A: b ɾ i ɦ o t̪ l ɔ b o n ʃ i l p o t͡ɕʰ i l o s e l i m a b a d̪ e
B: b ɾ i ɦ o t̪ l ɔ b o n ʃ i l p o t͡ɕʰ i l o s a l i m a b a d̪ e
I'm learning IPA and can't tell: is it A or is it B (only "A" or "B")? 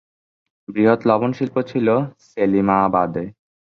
A